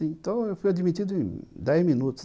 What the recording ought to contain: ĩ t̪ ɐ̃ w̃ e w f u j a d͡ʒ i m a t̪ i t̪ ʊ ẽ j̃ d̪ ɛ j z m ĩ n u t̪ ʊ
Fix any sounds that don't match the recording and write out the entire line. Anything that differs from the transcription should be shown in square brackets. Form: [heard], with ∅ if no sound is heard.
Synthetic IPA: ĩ t̪ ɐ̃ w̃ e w f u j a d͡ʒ i m [i] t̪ i [d̪] ʊ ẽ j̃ d̪ ɛ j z m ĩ n u t̪ ʊ